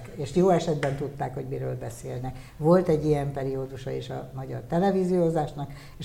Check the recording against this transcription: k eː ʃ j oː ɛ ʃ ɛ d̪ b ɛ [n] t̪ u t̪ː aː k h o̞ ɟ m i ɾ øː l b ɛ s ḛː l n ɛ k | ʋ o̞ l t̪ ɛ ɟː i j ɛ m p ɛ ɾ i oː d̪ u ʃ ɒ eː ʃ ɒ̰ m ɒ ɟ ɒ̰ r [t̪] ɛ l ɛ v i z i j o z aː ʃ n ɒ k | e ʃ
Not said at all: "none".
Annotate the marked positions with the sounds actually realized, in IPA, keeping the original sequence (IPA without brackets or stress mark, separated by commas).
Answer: n, t̪